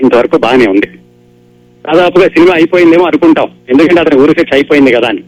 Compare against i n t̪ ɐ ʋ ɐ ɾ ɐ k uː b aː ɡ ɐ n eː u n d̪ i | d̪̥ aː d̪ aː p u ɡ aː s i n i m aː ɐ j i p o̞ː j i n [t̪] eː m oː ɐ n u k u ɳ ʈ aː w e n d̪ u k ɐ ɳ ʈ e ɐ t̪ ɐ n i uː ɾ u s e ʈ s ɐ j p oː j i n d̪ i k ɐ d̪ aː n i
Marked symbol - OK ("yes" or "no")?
no